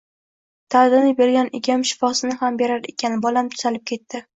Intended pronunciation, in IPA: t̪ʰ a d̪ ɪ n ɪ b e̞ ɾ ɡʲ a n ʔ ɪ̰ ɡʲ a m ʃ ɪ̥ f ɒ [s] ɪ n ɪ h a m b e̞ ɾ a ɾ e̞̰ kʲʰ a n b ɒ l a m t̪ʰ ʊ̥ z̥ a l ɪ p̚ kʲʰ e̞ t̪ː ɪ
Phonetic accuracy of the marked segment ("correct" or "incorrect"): correct